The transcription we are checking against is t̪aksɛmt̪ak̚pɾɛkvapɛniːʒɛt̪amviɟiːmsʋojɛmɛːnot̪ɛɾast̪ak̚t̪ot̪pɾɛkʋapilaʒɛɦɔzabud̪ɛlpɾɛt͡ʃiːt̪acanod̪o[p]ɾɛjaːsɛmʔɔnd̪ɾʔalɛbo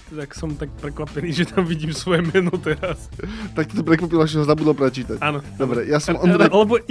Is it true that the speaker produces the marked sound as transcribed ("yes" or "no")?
no